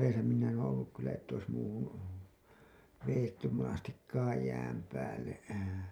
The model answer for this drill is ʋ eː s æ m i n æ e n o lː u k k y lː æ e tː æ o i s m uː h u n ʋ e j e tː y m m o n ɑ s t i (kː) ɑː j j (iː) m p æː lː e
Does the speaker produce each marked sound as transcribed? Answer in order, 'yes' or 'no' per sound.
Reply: yes, no

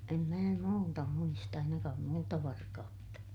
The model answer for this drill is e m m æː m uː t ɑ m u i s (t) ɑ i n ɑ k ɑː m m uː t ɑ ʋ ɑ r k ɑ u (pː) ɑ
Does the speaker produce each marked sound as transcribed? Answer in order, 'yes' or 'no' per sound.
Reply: yes, no

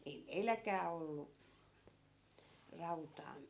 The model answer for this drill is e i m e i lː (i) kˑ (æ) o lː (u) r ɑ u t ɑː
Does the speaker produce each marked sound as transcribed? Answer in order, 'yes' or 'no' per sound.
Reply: no, no, yes

